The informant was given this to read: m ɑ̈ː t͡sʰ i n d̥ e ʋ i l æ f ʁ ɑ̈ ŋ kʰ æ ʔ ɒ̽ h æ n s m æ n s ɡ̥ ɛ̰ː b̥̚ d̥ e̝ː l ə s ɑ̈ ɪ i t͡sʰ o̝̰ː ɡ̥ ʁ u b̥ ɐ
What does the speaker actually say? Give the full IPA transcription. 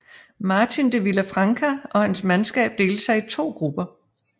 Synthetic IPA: m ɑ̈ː t͡sʰ i n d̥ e ʋ i l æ f ʁ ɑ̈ ŋ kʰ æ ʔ ɒ̽ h æ n s m æ n s ɡ̥ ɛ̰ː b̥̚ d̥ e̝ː l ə s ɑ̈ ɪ i t͡sʰ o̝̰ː ɡ̥ ʁ u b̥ ɐ

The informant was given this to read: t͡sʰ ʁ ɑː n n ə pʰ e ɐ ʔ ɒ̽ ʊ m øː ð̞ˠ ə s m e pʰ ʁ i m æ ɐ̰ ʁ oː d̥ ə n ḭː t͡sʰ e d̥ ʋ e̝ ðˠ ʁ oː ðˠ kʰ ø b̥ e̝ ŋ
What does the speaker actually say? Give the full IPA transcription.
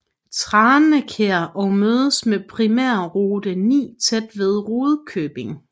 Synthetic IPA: t͡sʰ ʁ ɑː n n ə kʰ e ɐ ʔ ɒ̽ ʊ m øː ð̞ˠ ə s m e pʰ ʁ i m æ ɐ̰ ʁ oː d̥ ə n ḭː t͡sʰ e d̥ ʋ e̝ ðˠ ʁ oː ðˠ kʰ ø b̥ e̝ ŋ

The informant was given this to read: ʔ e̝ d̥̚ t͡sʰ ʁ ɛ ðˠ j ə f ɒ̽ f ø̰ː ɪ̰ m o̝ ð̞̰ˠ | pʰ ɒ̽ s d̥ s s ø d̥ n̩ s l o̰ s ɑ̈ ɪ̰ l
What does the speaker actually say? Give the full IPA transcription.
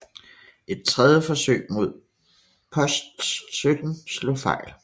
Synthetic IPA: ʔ e̝ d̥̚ t͡sʰ ʁ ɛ ðˠ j ə f ɒ̽ s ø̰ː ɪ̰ m o̝ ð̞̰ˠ | pʰ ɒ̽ s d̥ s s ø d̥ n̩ s l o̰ f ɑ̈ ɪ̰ l

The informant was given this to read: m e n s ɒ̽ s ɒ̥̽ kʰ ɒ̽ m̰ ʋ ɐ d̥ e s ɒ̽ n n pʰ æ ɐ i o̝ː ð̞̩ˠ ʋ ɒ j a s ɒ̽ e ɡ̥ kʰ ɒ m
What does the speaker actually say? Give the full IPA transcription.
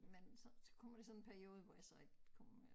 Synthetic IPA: m e n s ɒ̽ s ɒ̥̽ kʰ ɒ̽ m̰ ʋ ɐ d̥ e s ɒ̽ n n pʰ æ ɐ i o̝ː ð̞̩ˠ ʋ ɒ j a s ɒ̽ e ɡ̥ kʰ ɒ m

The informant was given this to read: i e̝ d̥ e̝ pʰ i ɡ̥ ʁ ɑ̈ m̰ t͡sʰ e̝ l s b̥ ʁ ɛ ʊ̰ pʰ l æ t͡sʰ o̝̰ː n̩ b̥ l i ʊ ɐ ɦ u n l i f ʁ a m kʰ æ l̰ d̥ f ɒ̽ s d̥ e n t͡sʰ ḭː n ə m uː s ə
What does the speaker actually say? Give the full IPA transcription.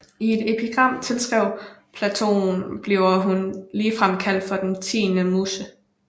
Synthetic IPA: i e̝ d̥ e̝ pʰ i ɡ̥ ʁ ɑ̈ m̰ t͡sʰ e̝ l s ɡ̥ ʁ ɛ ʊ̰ pʰ l æ t͡sʰ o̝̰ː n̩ b̥ l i ʊ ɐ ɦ u n l iː f ʁ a m kʰ æ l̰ d̥ f ɒ̽ d̥ e n t͡sʰ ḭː n ə m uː s ə

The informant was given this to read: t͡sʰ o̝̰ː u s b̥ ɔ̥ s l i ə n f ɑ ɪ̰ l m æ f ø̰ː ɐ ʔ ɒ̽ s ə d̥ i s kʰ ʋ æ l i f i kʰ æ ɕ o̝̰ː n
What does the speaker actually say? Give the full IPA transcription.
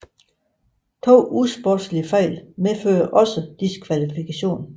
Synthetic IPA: t͡sʰ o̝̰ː u s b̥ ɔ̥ s l i ə f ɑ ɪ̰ l m e f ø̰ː ɐ ʔ ɒ̽ s ə d̥ i s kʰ ʋ æ l i f i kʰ æ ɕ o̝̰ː n

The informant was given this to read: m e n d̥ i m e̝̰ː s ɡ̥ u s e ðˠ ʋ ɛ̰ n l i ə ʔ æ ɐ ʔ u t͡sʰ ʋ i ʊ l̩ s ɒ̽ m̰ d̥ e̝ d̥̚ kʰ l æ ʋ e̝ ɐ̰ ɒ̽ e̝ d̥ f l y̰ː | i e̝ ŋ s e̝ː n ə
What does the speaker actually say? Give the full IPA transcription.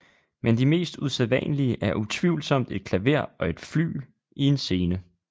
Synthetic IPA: m e n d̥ i m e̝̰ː s d̥ u s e ðˠ ʋ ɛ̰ n l i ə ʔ æ ɐ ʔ u t͡sʰ ʋ i ʊ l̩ s ɒ̽ m̰ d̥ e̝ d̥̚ kʰ l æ ʋ e̝ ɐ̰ ɒ̽ e̝ d̥ f l y̰ː | i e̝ n s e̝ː n ə

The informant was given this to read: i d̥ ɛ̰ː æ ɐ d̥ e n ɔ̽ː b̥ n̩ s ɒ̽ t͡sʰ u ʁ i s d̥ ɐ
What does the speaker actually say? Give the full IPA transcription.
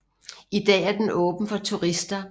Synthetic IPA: i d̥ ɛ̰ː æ ɐ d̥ e n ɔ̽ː b̥ n̩ f ɒ̽ t͡sʰ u ʁ i s d̥ ɐ

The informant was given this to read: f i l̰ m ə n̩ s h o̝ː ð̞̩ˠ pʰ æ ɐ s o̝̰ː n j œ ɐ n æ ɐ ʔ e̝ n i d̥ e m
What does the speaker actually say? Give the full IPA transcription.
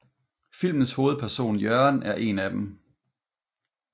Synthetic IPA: f i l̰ m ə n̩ s h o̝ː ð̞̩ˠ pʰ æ ɐ s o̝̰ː n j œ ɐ n æ ɐ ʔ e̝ n æ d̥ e m

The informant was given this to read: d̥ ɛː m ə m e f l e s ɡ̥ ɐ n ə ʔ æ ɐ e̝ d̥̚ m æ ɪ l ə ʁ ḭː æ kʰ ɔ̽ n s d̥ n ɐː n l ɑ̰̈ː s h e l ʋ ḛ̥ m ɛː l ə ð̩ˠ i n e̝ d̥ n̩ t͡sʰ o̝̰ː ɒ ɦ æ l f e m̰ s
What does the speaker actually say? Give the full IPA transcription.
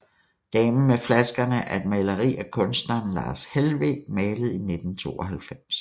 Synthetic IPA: d̥ ɛː m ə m e f l æ s ɡ̥ ɐ n ə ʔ æ ɐ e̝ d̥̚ m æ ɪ l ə ʁ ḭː æ kʰ ɔ̽ n s d̥ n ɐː n l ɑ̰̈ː s h e l ʋ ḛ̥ m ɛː l ə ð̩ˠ i n e̝ d̥ n̩ t͡sʰ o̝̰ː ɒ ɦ æ l f e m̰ s

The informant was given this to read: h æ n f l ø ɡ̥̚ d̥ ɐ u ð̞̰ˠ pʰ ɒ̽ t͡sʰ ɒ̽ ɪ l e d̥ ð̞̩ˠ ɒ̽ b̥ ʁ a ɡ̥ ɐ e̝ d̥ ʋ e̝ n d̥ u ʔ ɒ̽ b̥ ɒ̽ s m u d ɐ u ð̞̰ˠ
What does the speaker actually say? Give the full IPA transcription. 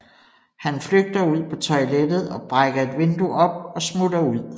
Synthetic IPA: h æ n f l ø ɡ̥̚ d̥ ɐ u ð̞̰ˠ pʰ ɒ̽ t͡sʰ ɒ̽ ɪ l e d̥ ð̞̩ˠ ɒ̽ b̥ ʁ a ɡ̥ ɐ e̝ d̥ ʋ e̝ n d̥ u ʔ ɒ̽ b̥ ɒ̽ s m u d ɐ u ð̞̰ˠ

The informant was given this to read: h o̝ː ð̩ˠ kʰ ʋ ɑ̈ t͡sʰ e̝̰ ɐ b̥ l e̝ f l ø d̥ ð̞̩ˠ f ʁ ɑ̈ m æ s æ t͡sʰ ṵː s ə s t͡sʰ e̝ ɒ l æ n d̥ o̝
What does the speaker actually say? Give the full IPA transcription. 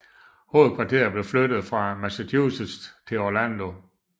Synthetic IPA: h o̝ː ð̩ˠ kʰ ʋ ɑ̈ t͡sʰ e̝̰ ɐ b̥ l e̝ f l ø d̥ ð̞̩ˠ f ʁ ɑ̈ m æ s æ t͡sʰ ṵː s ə s t͡sʰ e̝ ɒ l æ n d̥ o̝

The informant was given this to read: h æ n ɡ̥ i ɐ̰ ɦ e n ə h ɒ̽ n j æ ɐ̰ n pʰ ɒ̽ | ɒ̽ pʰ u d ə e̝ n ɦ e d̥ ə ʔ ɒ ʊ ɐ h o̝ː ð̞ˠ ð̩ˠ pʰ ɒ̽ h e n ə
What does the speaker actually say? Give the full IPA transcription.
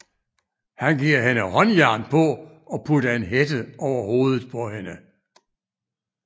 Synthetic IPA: h æ n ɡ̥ i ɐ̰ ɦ e n ə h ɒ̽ n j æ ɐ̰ n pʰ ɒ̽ | ɒ̽ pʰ u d ɐ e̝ n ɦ e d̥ ə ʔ ɒ ʊ ɐ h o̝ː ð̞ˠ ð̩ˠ pʰ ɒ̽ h e n ə

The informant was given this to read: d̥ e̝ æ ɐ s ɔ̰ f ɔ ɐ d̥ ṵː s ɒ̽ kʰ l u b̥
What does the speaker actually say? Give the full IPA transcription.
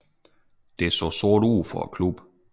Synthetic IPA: d̥ e̝ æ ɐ s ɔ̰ s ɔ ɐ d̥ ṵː f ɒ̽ kʰ l u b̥

